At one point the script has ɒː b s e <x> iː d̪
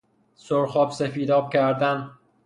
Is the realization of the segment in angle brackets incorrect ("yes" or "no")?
yes